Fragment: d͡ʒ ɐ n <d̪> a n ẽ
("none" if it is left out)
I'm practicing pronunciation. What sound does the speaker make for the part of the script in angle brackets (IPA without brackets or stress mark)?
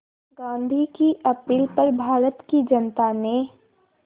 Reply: t̪